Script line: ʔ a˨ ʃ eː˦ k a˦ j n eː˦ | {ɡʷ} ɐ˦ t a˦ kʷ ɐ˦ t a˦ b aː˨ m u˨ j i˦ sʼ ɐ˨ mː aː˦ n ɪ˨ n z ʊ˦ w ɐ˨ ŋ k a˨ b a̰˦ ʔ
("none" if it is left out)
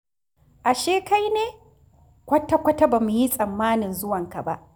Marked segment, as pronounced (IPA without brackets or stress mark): kʷ